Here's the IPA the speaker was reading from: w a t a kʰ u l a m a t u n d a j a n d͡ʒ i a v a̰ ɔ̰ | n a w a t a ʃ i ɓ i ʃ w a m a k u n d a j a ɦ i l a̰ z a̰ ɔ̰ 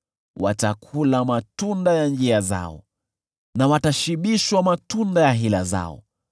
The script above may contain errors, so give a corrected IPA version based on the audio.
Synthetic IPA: w a t a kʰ u l a m a t u n d a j a n d͡ʒ i a z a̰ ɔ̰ | n a w a t a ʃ i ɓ i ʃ w a m a t u n d a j a ɦ i l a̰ z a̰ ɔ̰